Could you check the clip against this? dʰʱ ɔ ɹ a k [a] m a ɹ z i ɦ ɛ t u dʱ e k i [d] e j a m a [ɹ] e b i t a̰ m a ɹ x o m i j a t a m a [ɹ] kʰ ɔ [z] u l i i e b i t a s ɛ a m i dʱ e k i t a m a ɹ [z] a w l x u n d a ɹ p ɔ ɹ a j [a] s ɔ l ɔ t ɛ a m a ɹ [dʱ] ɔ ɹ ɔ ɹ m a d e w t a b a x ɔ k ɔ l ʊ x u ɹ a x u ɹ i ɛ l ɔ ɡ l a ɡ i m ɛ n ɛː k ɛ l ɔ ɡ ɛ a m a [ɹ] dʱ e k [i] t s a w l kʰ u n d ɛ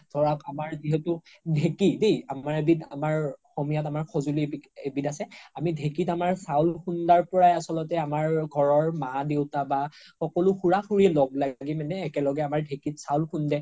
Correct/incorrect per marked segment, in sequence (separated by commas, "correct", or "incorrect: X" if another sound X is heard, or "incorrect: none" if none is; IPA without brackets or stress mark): correct, correct, correct, correct, correct, incorrect: s, correct, incorrect: ɡʱ, correct, correct